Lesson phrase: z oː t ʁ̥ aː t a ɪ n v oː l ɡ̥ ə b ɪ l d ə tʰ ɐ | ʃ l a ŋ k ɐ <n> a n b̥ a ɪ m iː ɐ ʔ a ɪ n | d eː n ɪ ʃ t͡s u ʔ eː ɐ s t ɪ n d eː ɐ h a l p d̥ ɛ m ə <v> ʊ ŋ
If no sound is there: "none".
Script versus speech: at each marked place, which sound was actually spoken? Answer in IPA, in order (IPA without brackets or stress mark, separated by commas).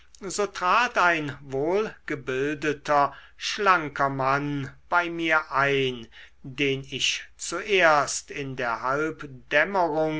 m, ʁ